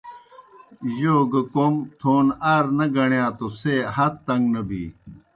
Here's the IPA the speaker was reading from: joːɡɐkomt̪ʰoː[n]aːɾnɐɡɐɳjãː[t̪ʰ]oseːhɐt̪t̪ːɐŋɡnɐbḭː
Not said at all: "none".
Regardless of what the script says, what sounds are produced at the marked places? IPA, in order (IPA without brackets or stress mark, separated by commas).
n, t̪